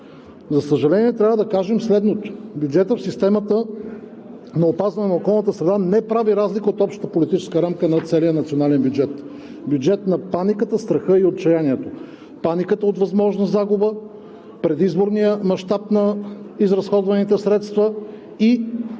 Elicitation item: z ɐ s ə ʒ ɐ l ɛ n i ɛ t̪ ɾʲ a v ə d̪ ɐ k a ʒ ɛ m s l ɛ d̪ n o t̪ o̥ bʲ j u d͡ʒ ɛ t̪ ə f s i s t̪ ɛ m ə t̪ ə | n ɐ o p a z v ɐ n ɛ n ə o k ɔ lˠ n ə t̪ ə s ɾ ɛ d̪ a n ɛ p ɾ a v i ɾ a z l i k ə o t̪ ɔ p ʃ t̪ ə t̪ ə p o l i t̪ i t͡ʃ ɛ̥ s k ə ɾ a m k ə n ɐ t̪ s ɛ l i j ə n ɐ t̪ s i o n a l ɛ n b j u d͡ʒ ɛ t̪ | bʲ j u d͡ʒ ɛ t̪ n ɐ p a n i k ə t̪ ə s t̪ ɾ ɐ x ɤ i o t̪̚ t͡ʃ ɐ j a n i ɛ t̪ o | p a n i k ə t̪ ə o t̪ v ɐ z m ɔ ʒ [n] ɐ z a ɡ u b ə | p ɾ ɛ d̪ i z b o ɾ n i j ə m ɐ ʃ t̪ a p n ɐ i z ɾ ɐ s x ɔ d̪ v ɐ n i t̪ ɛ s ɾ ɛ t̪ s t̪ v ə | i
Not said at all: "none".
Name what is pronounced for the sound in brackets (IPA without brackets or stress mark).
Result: n